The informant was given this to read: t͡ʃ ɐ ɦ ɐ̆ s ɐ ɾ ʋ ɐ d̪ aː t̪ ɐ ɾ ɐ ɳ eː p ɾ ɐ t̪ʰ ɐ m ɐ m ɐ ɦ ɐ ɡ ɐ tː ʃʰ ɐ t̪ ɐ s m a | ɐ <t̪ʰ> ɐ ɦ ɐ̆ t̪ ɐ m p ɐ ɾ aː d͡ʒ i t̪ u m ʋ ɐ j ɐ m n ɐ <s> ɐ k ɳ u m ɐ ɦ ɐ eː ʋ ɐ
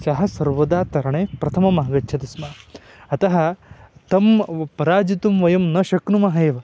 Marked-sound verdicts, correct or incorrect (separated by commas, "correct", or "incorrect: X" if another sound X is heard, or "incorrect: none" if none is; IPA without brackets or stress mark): incorrect: t̪, incorrect: ʃ